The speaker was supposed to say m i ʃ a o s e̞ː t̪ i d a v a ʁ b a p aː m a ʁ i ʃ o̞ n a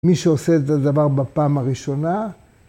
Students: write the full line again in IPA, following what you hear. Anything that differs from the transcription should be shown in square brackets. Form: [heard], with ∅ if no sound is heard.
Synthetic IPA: m i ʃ [e] o s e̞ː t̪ [a] d a v a ʁ b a p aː m a ʁ i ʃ o̞ n a